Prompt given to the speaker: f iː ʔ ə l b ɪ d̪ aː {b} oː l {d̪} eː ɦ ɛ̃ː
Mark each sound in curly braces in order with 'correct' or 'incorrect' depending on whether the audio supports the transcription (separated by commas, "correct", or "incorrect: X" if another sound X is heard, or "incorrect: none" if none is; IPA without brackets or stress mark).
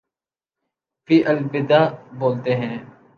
correct, incorrect: t̪